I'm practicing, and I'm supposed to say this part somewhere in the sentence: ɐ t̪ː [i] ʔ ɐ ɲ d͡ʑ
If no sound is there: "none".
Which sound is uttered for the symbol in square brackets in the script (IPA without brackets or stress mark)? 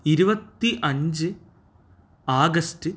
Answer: i